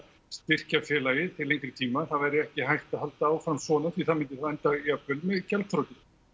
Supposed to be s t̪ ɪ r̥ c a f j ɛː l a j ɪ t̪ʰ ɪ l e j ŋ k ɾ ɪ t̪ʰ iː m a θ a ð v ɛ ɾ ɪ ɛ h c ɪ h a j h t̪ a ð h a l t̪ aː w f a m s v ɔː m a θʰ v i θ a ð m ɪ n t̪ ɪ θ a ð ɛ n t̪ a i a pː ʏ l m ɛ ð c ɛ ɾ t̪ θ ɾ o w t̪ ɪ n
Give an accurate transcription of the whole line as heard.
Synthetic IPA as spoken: s t̪ ɪ r̥ c a f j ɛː l a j ɪ t̪ʰ ɪ l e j ŋ k ɾ ɪ t̪ʰ iː m a θ a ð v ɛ ɾ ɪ ɛ h c ɪ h a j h t̪ a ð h a l t̪ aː w f a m s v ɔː n a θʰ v i θ a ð m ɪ n t̪ ɪ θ a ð ɛ n t̪ a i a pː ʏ l m ɛ ð c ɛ l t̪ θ ɾ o w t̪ ɪ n